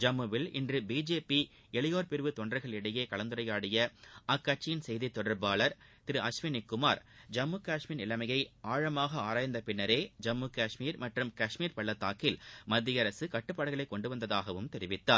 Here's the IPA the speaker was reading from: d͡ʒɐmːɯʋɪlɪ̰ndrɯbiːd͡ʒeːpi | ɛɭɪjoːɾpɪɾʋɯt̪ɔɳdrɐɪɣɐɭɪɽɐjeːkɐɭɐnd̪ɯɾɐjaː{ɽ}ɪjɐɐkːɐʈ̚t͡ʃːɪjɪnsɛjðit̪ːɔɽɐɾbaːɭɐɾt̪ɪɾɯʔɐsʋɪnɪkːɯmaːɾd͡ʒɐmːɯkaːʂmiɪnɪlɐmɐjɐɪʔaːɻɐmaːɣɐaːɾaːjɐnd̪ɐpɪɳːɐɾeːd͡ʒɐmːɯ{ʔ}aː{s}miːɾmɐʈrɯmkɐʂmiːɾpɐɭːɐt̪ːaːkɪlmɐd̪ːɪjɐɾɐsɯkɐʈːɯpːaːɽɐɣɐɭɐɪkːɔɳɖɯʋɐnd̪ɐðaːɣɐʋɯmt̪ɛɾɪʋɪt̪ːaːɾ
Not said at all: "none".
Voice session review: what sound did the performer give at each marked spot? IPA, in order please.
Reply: ɽ, k, ʂ

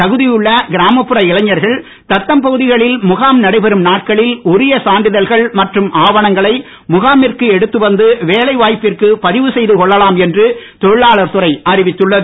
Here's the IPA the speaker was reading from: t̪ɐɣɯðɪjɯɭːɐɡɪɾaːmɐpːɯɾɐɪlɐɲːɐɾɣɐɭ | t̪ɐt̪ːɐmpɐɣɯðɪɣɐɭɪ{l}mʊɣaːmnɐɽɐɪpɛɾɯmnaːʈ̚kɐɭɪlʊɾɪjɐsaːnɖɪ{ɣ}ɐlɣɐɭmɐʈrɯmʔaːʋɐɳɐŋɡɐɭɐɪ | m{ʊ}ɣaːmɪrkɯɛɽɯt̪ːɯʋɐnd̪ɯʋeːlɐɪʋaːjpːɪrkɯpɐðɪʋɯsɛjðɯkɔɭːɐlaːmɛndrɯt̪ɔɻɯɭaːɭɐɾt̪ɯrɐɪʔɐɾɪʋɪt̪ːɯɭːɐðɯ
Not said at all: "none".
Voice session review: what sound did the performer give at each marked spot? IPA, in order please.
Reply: l, ð, ʊ

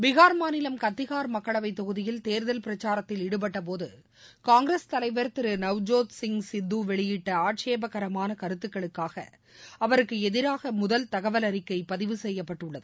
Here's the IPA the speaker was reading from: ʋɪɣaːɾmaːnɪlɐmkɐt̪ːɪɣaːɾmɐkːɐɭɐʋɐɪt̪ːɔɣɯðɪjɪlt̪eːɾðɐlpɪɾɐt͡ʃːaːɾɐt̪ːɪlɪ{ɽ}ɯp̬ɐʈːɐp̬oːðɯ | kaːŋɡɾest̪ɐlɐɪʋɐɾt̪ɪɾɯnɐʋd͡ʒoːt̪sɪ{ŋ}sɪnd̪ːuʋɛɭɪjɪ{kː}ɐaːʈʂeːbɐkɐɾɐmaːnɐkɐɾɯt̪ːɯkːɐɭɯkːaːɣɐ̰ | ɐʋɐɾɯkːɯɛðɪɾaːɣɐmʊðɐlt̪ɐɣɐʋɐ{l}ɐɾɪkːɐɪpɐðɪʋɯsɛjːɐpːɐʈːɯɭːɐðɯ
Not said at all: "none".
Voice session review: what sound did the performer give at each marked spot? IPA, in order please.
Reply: ɽ, ŋ, ʈː, l

